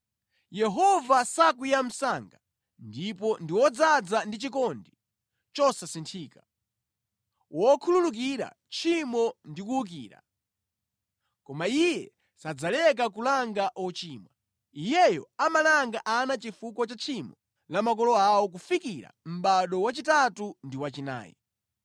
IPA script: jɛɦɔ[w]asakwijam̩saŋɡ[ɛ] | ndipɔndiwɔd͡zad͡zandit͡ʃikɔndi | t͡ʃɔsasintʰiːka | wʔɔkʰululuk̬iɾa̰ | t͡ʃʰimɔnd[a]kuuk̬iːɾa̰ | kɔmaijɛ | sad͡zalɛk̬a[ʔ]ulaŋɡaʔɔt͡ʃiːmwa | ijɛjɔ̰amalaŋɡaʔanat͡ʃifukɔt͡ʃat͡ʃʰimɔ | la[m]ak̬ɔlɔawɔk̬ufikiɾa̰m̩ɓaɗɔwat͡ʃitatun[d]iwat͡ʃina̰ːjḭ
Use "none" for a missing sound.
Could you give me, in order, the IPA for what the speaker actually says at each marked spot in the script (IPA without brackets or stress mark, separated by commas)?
v, a, i, k, m, d